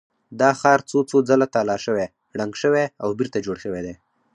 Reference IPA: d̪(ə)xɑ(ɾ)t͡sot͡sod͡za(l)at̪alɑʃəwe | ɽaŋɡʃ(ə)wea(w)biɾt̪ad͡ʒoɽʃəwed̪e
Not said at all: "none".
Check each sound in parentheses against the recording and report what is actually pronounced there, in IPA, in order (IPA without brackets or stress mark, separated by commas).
ɑ, ɾ, l, ə, w